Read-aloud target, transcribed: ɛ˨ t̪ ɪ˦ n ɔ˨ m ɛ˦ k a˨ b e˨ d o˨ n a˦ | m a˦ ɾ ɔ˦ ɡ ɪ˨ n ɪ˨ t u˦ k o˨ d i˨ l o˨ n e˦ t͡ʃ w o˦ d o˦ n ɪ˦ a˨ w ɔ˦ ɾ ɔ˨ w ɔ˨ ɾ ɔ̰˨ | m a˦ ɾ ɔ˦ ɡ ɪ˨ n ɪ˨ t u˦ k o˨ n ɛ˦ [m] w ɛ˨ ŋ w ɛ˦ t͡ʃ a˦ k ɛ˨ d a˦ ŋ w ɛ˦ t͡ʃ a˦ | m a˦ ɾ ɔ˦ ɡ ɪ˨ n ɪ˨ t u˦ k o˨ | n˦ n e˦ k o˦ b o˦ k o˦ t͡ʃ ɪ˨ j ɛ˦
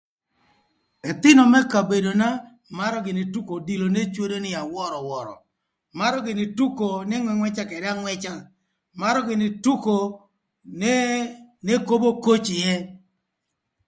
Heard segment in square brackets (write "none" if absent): ŋ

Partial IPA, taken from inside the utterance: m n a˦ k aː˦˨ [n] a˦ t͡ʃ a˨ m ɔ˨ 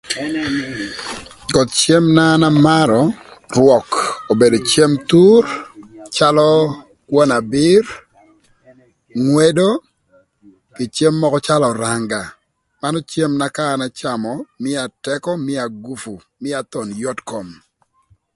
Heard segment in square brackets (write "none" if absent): n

